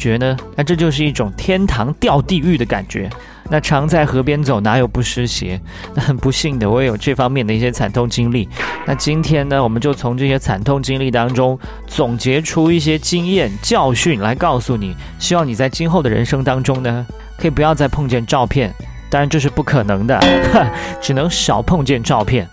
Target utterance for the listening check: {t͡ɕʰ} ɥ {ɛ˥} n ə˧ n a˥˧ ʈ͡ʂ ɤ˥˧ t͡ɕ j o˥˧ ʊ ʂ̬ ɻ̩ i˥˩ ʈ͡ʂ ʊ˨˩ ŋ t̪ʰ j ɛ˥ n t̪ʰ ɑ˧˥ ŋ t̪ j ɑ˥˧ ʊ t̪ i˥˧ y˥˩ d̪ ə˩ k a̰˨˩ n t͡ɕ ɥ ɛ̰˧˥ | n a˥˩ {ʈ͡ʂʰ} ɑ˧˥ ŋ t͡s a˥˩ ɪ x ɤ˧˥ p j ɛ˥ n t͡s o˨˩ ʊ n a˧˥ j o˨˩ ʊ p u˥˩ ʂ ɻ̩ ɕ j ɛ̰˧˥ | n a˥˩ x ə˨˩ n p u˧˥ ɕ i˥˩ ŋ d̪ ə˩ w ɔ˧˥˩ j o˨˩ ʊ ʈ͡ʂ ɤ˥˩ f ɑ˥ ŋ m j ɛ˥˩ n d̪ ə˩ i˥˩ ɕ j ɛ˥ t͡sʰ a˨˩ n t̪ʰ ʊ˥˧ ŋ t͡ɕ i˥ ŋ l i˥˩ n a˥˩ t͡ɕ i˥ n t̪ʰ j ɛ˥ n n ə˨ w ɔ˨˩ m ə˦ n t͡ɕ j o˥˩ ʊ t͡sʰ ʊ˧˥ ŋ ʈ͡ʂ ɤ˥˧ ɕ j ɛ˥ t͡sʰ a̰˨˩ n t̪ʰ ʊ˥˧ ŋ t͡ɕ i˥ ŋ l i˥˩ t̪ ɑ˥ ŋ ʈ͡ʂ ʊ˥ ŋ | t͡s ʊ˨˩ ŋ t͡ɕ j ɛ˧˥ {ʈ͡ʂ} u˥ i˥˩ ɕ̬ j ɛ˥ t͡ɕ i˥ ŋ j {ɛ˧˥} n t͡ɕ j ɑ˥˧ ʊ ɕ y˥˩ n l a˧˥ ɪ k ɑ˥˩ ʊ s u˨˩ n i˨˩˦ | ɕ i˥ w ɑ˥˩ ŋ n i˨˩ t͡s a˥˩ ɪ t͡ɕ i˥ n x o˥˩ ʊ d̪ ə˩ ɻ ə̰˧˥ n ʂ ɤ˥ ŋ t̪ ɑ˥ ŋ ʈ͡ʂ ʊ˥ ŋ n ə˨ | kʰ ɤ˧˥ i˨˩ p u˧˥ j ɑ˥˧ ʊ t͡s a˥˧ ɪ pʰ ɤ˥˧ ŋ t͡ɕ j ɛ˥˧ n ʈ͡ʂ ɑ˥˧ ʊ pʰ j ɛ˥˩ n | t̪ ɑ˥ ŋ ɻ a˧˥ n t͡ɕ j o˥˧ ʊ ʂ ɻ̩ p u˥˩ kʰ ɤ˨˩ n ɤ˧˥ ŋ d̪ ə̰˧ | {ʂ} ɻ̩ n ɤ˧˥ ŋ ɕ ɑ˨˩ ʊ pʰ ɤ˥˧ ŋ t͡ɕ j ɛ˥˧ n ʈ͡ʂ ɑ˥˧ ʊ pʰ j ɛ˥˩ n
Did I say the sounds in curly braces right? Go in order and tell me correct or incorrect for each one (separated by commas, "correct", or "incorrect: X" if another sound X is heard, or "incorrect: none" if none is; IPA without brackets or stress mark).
incorrect: t͡ɕ, incorrect: ɛ˧˥, correct, incorrect: ʈ͡ʂʰ, incorrect: ɛ˥˩, incorrect: ʈ͡ʂ